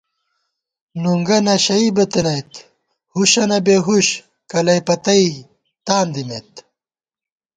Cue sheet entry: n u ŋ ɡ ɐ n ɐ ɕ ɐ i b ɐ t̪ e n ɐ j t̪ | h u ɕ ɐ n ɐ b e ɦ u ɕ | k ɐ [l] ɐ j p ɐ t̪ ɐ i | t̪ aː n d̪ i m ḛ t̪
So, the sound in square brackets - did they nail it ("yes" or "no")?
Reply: yes